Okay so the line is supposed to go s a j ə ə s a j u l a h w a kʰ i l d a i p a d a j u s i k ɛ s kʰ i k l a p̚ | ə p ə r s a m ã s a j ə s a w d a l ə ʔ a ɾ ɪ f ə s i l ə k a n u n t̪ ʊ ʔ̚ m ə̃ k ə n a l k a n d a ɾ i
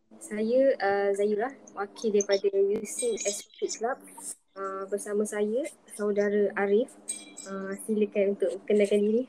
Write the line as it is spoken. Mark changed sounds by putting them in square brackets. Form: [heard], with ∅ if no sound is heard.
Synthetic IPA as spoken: s a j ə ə [z] a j u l a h w a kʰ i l d a i p a d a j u s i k ɛ s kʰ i k l a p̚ | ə [b] ə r s a m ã s a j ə s a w d a [ɾ] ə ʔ a ɾ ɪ f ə s i l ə k a n u n t̪ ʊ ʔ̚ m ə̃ k ə n a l k a n d [i] ɾ i